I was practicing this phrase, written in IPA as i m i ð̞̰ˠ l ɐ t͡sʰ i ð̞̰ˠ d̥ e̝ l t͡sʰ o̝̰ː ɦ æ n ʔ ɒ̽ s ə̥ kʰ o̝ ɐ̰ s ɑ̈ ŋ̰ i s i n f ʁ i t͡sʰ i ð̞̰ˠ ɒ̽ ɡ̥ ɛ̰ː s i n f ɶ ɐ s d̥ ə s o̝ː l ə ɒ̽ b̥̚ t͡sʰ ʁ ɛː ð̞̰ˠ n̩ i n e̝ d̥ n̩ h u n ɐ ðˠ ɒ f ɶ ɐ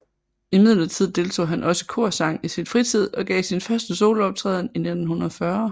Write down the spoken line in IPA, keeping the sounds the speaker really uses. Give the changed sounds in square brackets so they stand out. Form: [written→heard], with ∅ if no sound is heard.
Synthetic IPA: i m i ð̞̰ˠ l ɐ t͡sʰ i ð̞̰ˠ d̥ e̝ l t͡sʰ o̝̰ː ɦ æ n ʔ ɒ̽ s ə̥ kʰ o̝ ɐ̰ s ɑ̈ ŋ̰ i s i n f ʁ i t͡sʰ i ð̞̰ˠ ɒ̽ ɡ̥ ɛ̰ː s i n f ɶ ɐ s d̥ ə s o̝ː l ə ɒ̽ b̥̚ t͡sʰ ʁ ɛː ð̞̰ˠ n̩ i n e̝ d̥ n̩ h u n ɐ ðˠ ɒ f ɶ ɐ